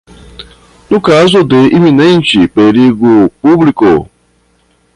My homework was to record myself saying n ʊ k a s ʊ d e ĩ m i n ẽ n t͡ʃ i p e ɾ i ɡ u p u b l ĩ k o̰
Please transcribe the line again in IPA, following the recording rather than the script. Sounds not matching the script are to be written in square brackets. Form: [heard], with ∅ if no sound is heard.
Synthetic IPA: n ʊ k a [z] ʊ d e [i] m i n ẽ n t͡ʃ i p e ɾ i ɡ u p u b l [i] k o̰